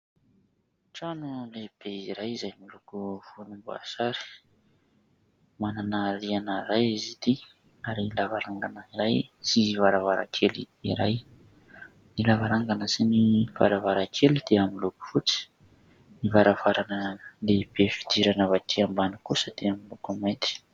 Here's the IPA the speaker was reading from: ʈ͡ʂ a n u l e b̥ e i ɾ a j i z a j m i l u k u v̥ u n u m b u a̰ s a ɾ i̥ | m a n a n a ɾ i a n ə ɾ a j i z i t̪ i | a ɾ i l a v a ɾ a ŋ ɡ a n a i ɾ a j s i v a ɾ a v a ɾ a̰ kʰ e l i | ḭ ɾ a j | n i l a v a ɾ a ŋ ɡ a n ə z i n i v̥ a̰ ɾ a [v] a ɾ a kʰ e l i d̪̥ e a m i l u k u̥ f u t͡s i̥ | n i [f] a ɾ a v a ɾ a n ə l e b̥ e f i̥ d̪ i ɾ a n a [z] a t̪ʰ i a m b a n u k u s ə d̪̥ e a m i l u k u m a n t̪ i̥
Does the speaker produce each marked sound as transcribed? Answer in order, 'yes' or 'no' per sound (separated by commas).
yes, no, no